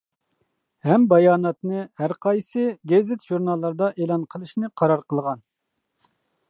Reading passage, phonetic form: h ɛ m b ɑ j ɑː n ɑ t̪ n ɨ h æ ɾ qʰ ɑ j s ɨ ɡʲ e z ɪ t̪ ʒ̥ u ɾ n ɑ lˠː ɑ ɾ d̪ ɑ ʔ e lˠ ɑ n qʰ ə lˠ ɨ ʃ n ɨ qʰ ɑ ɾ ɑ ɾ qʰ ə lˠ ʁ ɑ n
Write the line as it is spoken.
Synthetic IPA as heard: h ɛ m b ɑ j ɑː n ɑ t̪ n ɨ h æ ɾ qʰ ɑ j s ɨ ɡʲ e z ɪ t̪ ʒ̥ u ɾ n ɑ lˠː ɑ ɾ d̪ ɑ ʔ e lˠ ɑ n qʰ ə lˠ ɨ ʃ n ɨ qʰ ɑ ɾ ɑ ɾ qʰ ə lˠ ʁ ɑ n